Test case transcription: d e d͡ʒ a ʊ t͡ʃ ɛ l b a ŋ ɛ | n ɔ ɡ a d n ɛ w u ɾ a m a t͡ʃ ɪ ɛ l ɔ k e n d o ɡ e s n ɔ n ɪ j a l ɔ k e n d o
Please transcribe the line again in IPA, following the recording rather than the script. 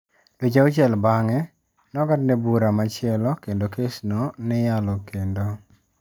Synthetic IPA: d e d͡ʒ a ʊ t͡ʃ ɛ l b a ŋ ɛ | n ɔ ɡ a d n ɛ b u ɾ a m a t͡ʃ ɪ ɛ l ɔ k e n d o k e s n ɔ n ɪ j a l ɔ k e n d o